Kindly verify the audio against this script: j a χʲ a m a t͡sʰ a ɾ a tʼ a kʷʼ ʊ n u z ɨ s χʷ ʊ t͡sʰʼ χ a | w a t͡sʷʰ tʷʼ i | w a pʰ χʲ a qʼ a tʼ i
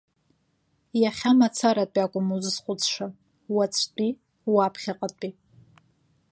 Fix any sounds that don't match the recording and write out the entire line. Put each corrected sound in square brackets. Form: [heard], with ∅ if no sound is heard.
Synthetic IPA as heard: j a χʲ a m a t͡sʰ a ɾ a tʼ a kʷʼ ʊ [m] u z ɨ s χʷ ʊ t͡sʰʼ [ʂ] a | w a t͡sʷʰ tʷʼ i | w a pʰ χʲ a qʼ a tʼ i